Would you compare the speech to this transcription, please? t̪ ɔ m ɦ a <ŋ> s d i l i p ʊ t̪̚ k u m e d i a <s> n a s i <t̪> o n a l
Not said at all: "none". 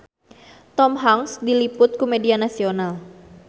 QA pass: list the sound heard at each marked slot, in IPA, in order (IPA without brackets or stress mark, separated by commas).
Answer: ŋ, none, none